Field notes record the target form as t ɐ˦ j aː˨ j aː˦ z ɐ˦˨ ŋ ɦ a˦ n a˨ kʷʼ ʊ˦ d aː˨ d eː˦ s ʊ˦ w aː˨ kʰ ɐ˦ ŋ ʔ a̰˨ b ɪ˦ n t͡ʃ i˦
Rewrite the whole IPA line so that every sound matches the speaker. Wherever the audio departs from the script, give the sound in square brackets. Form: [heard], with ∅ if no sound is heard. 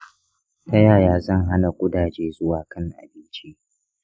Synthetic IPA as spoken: t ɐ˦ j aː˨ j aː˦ z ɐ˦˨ ŋ ɦ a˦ n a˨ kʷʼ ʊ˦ d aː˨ [d͡ʒ] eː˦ [z] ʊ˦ w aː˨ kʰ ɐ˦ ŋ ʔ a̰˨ b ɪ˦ n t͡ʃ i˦